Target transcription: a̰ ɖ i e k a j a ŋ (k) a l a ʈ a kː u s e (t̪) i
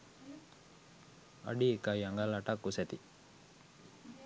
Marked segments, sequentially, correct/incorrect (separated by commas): incorrect, correct